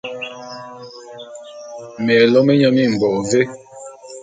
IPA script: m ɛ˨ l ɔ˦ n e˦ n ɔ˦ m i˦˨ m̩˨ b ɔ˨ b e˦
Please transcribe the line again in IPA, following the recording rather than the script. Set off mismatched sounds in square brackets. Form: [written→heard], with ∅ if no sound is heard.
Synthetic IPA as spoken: m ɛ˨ l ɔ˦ [n→m] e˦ [n→ɲ] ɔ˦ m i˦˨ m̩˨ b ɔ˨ [b→v] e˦